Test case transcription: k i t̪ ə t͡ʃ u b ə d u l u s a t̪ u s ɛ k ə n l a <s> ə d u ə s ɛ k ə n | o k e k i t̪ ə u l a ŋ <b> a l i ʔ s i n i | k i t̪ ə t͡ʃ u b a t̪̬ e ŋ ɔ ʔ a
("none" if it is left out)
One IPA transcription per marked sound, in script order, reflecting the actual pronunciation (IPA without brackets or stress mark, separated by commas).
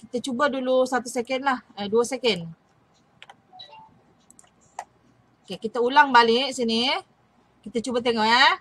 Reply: h, b